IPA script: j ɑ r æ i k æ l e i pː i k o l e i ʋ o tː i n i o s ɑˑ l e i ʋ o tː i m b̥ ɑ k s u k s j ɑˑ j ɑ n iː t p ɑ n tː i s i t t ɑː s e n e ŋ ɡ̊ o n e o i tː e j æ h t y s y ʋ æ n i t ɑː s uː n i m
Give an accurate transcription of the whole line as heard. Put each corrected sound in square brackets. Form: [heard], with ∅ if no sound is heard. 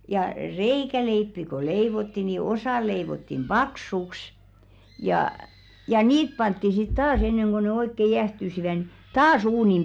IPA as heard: j ɑ r [e] i k æ l e i pː i k o l e i ʋ o tː i n i o s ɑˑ l e i ʋ o tː i m b̥ ɑ k s u k s j ɑˑ j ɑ n iː t p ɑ n tː i s i t t ɑː s e [nː] e ŋ ɡ̊ o n e o i [kː] e j æ h t y s [i] ʋ æ n i t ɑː s uː n i m